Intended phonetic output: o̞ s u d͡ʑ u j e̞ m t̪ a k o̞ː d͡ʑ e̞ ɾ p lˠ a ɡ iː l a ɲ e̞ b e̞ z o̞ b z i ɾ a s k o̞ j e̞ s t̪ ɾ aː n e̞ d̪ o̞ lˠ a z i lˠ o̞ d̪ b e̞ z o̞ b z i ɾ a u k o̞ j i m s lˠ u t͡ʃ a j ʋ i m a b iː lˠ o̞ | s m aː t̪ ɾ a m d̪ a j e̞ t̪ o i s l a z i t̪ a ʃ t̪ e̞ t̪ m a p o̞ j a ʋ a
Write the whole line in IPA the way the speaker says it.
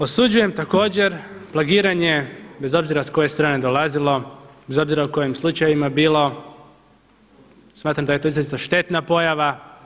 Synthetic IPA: o̞ s u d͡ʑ u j e̞ m t̪ a k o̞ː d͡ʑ e̞ ɾ p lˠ a ɡ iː ɾ a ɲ e̞ b e̞ z o̞ b z i ɾ a s k o̞ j e̞ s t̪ ɾ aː n e̞ d̪ o̞ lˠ a z i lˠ o̞ b e̞ z o̞ b z i ɾ a u k o̞ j i m s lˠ u t͡ʃ a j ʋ i m a b iː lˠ o̞ | s m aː t̪ ɾ a m d̪ a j e̞ t̪ o i z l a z i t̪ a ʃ t̪ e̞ t̪ n a p o̞ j a ʋ a